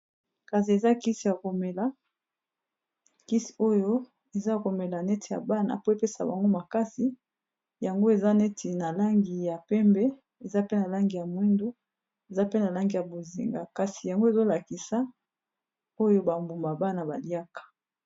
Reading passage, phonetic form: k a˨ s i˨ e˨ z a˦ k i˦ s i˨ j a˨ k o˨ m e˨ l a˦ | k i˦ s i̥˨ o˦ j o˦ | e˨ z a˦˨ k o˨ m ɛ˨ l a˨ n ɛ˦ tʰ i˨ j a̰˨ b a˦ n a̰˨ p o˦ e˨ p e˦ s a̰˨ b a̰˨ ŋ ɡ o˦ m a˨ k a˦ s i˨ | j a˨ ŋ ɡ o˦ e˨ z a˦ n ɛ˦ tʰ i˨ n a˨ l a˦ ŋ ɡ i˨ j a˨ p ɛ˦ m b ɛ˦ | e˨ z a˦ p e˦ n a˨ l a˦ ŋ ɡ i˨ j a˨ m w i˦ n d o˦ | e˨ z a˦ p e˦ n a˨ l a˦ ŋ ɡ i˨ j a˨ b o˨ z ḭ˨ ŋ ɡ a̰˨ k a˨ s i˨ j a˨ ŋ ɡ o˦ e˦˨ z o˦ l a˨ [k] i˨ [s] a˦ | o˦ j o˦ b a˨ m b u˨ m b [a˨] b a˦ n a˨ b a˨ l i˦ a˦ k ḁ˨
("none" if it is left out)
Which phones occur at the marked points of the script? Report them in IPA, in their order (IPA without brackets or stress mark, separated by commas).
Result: k, s, a˨